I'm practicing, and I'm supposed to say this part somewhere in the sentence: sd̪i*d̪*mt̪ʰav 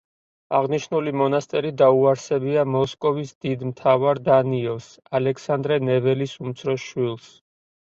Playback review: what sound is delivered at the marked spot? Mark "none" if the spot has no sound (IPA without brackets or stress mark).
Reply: d̪